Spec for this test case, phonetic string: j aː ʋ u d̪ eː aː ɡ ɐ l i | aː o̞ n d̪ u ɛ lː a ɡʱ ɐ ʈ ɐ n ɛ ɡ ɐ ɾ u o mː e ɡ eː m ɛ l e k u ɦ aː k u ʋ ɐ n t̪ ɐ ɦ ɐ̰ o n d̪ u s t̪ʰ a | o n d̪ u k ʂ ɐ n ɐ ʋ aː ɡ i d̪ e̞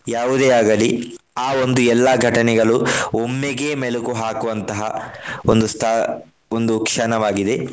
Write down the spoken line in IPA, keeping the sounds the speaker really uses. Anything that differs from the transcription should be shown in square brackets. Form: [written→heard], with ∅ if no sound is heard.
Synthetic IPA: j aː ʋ u d̪ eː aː ɡ ɐ l i | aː o̞ n d̪ u ɛ lː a ɡʱ ɐ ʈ ɐ n ɛ ɡ ɐ [ɾ→ɭ] u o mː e ɡ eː m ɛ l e k u ɦ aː k u ʋ ɐ n t̪ ɐ ɦ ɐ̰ o n d̪ u s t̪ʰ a | o n d̪ u k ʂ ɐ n ɐ ʋ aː ɡ i d̪ e̞

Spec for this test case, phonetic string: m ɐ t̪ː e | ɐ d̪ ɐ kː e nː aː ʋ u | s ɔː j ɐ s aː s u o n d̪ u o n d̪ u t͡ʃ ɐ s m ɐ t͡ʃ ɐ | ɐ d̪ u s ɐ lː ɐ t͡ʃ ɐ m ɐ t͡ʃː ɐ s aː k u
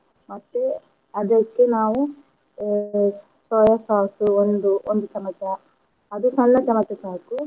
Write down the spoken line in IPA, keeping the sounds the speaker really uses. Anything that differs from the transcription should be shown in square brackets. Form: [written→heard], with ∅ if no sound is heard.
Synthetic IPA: m ɐ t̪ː e | ɐ d̪ ɐ kː e [nː→n] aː ʋ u | s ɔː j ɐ s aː s u o n d̪ u o n d̪ u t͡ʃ ɐ [s→∅] m ɐ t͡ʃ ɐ | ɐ d̪ u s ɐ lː ɐ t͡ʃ ɐ m ɐ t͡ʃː ɐ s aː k u

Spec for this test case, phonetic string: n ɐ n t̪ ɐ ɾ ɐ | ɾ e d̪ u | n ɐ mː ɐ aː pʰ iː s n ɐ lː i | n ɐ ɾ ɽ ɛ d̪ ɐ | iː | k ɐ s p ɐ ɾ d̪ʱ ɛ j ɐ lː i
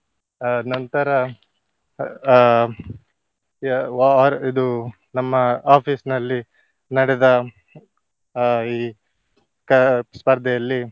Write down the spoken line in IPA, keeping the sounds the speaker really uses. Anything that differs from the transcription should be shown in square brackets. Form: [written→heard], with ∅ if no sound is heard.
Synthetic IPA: n ɐ n t̪ ɐ ɾ ɐ | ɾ [e→i] d̪ u | n ɐ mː ɐ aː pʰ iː s n ɐ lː i | n ɐ [ɾ→∅] ɽ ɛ d̪ ɐ | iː | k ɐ s p ɐ ɾ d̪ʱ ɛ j ɐ lː i

